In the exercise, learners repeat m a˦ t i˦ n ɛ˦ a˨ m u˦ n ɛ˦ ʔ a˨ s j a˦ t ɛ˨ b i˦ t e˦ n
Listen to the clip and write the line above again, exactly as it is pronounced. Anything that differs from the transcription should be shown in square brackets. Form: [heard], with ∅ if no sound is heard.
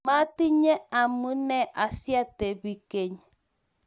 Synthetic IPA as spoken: m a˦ t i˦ [ɲ] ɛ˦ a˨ m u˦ n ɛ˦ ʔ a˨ s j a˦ t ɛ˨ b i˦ [k] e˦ [ɲ]